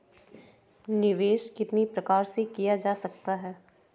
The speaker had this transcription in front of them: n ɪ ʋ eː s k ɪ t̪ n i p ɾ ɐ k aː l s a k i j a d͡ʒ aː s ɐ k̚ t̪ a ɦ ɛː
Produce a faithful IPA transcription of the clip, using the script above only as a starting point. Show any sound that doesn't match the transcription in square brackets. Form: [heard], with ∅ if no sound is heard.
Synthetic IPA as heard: n ɪ ʋ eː [ʃ] k ɪ t̪ n i p ɾ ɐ k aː [ɾ] s [e] k i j a d͡ʒ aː s ɐ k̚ t̪ a ɦ ɛː